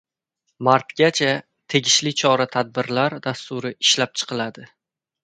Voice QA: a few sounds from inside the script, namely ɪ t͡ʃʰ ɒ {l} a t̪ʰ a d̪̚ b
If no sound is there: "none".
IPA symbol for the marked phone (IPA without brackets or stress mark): ɾ